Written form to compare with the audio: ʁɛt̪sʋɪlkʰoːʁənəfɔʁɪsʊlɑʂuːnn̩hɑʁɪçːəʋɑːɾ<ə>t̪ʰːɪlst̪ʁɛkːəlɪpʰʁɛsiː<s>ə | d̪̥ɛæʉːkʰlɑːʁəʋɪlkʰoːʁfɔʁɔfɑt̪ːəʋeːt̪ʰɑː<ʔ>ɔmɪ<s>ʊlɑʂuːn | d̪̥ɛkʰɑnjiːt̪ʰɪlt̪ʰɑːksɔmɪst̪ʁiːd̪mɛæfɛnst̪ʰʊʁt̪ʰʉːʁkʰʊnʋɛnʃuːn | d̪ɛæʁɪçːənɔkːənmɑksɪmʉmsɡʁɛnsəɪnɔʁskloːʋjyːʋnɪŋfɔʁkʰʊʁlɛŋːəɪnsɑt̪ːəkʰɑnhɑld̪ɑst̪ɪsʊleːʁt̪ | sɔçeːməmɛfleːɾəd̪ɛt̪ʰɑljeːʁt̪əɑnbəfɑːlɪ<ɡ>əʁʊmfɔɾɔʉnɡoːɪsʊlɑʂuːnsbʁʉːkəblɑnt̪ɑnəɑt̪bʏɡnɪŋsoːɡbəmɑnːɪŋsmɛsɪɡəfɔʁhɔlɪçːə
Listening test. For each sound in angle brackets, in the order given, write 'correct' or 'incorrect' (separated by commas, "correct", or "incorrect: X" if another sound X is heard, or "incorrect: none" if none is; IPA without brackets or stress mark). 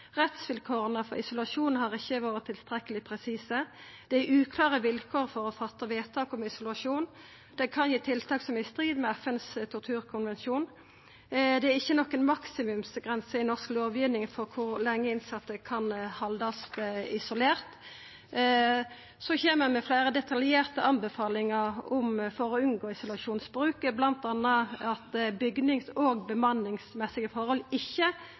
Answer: correct, correct, incorrect: k, correct, incorrect: ŋ